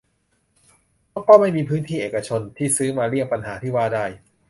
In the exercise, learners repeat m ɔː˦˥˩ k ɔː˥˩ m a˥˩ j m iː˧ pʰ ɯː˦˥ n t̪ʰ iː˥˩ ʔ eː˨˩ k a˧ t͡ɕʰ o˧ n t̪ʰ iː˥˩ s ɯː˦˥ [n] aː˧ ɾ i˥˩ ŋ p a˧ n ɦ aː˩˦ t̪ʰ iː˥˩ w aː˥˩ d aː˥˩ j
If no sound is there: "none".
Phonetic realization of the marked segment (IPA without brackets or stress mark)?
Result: m